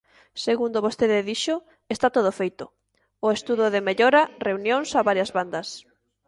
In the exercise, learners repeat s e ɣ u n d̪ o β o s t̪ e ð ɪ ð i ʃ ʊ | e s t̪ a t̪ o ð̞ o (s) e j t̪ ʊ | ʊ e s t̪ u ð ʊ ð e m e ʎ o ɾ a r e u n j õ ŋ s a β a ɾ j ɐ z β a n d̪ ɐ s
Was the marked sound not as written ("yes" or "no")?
yes